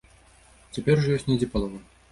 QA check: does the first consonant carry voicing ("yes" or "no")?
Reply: no